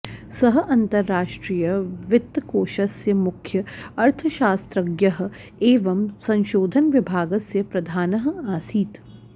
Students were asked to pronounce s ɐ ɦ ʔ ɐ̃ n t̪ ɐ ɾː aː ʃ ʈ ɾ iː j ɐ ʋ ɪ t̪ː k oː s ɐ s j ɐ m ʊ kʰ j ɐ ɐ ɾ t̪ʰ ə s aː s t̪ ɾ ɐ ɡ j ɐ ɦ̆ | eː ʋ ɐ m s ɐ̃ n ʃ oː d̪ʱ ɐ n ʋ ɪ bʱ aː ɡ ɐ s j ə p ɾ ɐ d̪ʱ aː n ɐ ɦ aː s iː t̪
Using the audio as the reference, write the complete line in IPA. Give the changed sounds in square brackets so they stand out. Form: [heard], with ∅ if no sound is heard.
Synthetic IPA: s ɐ ɦ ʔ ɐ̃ n t̪ ɐ ɾː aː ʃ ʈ ɾ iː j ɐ ʋ ɪ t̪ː k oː [ʃ] ɐ s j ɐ m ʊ kʰ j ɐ ɐ ɾ t̪ʰ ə [ʃ] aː s t̪ ɾ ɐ ɡ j ɐ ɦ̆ | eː ʋ ɐ m s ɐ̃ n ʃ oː d̪ʱ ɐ n ʋ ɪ bʱ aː ɡ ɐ s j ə p ɾ ɐ d̪ʱ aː n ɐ ɦ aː s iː t̪